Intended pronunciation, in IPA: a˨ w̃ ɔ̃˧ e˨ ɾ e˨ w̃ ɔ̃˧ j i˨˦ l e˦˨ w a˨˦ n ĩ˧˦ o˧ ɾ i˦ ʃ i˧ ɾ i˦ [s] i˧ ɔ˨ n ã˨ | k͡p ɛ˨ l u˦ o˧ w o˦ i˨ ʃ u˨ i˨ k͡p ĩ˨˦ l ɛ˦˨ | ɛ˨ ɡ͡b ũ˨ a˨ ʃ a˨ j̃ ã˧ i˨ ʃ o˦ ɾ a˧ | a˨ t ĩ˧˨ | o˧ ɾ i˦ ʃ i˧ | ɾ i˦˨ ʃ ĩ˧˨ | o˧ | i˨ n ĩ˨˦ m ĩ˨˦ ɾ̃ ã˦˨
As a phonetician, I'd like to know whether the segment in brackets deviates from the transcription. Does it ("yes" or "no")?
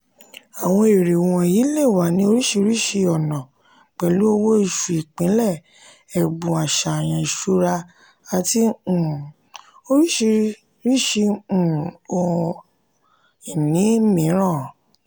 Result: yes